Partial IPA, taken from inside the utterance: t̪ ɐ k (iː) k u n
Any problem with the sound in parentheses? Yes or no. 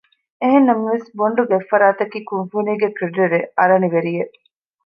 no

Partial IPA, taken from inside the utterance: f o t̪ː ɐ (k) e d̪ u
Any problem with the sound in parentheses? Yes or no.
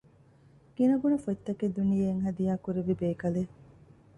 no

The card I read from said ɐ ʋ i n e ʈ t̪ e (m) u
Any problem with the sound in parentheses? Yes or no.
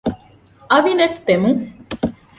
no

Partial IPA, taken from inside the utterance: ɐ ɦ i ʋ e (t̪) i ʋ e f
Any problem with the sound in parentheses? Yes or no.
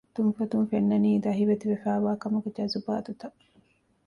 no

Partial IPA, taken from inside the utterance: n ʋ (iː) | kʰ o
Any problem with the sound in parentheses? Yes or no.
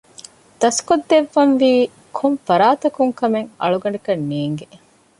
no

